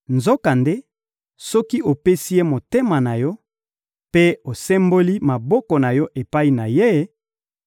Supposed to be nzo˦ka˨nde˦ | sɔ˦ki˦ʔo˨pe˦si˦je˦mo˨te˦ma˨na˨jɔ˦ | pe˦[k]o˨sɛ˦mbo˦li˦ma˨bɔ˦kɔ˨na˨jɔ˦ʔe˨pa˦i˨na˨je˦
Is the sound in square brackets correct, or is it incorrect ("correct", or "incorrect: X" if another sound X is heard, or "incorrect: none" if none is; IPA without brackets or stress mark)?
incorrect: none